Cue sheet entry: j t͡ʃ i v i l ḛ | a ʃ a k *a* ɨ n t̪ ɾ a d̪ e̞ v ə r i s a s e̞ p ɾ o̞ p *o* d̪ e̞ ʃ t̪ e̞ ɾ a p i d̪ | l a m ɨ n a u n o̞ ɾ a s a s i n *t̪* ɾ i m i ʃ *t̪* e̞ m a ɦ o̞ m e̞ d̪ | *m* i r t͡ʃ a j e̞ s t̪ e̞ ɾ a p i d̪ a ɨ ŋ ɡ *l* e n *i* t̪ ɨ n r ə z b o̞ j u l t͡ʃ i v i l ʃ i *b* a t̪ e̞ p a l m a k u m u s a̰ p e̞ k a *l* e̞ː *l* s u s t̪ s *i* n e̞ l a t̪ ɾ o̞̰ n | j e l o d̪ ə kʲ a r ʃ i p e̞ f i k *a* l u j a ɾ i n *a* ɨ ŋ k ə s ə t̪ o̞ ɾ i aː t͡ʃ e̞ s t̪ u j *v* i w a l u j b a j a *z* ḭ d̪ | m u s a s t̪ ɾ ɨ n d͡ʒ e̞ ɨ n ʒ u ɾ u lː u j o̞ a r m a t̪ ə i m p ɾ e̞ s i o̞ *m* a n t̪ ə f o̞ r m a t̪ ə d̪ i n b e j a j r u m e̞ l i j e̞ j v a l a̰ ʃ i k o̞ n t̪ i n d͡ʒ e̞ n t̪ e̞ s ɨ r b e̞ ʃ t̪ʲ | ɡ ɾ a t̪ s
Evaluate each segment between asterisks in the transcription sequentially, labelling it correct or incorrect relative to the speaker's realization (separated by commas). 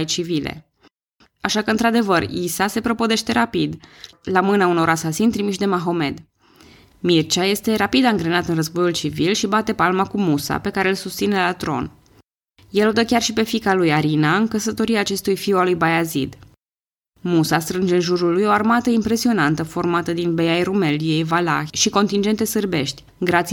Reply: incorrect, correct, correct, incorrect, correct, incorrect, incorrect, correct, incorrect, correct, correct, correct, correct, incorrect, correct, incorrect